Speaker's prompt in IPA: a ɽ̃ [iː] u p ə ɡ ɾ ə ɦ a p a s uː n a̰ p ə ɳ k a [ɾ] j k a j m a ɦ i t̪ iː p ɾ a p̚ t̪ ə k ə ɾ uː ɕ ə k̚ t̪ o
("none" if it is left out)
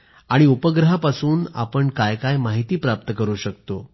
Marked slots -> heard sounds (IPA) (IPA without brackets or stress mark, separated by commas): i, none